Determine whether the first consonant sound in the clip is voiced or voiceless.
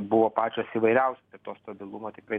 voiced